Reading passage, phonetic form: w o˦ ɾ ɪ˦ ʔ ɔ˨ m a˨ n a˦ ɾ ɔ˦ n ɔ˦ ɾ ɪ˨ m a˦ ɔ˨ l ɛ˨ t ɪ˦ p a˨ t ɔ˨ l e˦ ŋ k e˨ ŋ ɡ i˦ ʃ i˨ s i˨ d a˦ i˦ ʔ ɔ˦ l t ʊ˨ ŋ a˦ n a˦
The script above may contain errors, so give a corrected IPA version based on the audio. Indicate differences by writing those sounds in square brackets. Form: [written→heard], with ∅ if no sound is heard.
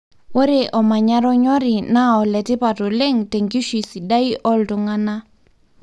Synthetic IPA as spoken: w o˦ ɾ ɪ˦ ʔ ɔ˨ m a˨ [n→ɲ] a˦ ɾ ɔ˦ [n→ɲ] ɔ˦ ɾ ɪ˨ [m→n] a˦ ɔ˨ l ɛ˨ t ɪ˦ p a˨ t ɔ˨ l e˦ ŋ [k→t] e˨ ŋ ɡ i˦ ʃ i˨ s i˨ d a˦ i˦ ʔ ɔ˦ l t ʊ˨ ŋ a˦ n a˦